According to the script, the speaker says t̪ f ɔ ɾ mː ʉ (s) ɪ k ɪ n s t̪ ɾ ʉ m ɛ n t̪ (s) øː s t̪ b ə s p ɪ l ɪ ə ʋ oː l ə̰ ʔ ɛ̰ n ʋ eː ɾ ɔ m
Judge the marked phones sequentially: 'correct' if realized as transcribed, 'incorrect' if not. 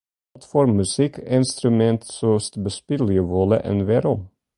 correct, correct

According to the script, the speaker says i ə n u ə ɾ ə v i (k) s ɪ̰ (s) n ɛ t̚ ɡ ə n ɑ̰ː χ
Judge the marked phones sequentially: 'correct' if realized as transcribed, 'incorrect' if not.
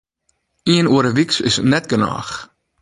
correct, correct

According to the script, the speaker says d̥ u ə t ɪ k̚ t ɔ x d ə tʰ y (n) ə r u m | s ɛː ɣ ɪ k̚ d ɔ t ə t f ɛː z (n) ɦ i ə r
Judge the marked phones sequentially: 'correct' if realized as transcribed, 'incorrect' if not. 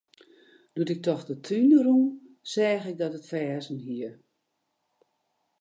correct, correct

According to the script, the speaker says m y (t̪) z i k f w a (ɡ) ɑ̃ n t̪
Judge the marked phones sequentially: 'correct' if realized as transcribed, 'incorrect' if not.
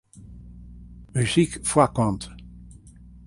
incorrect, incorrect

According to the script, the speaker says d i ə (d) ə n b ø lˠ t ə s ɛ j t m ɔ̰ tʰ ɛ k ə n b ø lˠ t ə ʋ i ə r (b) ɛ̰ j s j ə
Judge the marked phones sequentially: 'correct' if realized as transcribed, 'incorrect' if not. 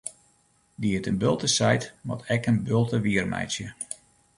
incorrect, incorrect

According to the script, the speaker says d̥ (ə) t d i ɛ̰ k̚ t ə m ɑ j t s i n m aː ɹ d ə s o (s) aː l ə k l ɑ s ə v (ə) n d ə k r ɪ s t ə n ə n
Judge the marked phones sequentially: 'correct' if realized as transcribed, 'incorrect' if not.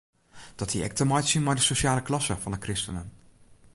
incorrect, incorrect, incorrect

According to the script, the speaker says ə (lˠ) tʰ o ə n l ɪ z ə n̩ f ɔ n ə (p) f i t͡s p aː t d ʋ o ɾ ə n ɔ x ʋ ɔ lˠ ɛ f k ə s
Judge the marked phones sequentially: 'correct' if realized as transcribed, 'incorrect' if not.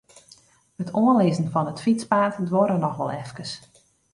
incorrect, incorrect

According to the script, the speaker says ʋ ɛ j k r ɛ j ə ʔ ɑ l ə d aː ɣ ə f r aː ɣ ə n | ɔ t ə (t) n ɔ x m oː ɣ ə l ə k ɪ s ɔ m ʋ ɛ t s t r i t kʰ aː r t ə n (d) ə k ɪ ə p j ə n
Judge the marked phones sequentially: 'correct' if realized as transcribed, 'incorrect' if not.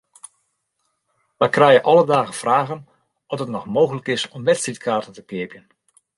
correct, incorrect

